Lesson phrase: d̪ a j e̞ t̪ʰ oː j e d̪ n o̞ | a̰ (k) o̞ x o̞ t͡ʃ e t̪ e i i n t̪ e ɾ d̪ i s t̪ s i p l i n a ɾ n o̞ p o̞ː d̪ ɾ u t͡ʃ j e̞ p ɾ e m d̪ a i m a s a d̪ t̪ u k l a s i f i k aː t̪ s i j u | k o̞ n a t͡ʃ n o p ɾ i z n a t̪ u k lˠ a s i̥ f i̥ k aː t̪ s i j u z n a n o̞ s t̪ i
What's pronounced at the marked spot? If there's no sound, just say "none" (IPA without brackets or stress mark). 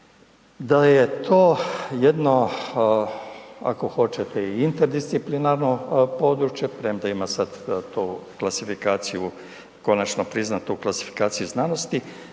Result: k